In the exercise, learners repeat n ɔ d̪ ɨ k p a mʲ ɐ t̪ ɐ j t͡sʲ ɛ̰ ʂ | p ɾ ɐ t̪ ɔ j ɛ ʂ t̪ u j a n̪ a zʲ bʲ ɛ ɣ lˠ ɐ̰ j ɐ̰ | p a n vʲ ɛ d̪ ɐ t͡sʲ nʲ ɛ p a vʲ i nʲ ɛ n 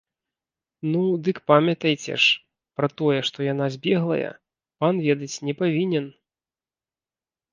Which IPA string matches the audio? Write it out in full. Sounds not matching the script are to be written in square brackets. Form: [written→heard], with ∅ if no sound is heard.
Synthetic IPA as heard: n [ɔ→u] d̪ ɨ k p a mʲ ɐ t̪ ɐ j t͡sʲ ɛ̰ ʂ | p ɾ ɐ t̪ ɔ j ɛ ʂ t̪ [u→ɔ] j a n̪ a zʲ bʲ ɛ ɣ lˠ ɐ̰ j ɐ̰ | p a n vʲ ɛ d̪ ɐ t͡sʲ nʲ ɛ p a vʲ i nʲ ɛ n